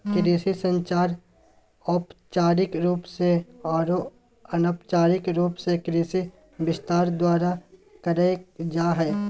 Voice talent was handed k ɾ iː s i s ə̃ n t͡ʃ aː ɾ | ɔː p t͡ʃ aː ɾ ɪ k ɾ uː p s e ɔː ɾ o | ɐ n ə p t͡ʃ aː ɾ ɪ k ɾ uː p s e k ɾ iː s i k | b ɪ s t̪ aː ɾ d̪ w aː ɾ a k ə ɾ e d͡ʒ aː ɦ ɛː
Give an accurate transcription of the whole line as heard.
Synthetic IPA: k ɾ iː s i s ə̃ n t͡ʃ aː ɾ | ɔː p t͡ʃ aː ɾ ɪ k ɾ uː p s e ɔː ɾ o | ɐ n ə p t͡ʃ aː ɾ ɪ k ɾ uː p s e k ɾ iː s i | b ɪ s t̪ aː ɾ d̪ w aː ɾ a k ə ɾ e d͡ʒ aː ɦ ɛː